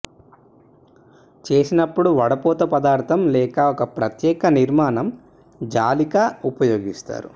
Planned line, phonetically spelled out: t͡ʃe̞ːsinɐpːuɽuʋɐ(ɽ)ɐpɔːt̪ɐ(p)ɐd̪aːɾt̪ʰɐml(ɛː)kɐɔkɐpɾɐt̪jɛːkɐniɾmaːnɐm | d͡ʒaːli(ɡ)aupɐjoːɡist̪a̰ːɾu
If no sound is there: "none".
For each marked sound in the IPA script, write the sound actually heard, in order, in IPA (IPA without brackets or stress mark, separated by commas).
ɽ, p, ɛː, k